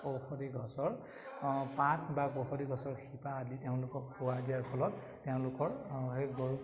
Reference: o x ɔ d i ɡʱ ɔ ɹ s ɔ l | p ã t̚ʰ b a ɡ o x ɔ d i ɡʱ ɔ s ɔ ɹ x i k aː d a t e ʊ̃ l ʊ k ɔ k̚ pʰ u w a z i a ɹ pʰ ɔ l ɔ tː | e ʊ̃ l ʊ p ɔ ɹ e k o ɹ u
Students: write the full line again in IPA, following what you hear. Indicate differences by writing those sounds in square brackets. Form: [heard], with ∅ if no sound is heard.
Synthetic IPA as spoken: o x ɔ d i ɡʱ ɔ [∅] s ɔ [ɹ] | p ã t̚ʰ b a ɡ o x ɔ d i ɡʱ ɔ s ɔ ɹ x i [p] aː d [i] t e ʊ̃ l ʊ k ɔ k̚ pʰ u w a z i a ɹ pʰ ɔ l ɔ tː | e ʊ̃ l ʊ [k] ɔ ɹ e [ɡ] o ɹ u